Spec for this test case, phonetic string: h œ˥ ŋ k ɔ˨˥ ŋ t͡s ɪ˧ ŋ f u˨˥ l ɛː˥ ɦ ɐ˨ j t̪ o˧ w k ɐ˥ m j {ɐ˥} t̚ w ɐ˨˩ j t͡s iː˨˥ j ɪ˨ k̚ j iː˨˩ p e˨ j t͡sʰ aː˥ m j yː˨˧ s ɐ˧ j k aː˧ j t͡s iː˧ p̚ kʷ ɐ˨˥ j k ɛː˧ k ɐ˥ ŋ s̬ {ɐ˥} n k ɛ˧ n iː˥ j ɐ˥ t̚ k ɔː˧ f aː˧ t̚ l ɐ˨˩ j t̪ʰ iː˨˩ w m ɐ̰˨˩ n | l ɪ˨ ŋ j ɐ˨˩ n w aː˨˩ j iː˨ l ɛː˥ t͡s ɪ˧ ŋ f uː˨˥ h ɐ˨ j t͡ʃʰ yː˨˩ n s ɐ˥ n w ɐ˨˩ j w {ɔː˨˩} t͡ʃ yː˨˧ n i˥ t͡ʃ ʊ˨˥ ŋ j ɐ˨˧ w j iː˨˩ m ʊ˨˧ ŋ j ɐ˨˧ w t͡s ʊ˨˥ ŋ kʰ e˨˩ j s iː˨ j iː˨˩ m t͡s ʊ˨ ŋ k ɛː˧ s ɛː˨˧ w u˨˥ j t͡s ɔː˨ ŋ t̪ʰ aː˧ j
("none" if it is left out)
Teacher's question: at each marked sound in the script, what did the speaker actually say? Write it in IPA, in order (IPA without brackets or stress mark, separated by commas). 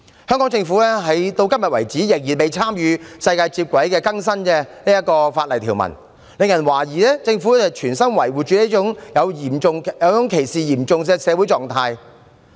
ɐ˨, ɐ˥, uː˨˩